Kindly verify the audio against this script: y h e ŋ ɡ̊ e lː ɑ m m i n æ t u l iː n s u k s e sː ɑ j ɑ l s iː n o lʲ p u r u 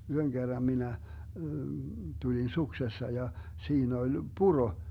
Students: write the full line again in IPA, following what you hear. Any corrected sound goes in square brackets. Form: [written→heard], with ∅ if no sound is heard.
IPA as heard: y h [e→ø] ŋ ɡ̊ e [lː→rː] ɑ m m i n æ t u l [iː→i] n s u k s e sː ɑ j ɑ [l→∅] s iː n o lʲ p u r [u→o]